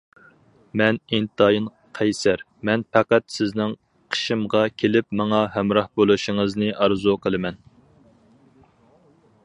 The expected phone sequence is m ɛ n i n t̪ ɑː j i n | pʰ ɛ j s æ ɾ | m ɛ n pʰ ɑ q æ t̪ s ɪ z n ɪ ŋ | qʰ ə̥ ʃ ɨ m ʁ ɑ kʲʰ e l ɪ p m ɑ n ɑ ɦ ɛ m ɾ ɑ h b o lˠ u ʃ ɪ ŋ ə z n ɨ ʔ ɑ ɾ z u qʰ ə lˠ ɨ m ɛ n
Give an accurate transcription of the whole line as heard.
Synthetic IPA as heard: m ɛ n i n t̪ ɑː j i n | qʰ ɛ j s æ ɾ | m ɛ n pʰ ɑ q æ t̪ s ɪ z n ɪ ŋ | qʰ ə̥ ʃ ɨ m ʁ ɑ kʲʰ e l ɪ p m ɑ ŋ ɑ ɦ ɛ m ɾ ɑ h b o lˠ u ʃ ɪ ŋ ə z n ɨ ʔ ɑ ɾ z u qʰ ə lˠ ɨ m ɛ n